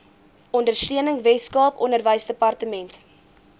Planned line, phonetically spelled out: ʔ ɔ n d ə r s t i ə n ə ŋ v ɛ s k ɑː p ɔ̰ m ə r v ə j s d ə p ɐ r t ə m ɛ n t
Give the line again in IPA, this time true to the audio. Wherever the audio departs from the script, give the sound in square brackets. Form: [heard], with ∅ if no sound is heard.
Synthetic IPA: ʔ ɔ n d ə r s t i ə n ə ŋ v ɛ s k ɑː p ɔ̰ [n] ə r v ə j s d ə p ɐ r t ə m ɛ n t